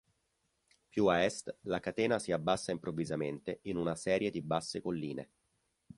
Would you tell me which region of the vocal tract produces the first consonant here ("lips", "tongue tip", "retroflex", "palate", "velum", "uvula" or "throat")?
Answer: lips